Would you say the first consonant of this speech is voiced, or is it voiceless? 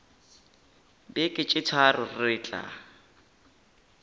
voiced